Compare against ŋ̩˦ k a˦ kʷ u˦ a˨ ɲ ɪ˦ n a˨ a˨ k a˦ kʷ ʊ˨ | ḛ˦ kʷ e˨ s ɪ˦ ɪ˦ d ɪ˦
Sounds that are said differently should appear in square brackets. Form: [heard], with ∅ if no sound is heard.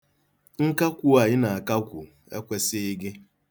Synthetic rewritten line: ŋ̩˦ k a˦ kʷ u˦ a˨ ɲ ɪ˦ n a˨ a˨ k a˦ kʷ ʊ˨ | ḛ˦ kʷ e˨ s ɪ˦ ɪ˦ [ɡ] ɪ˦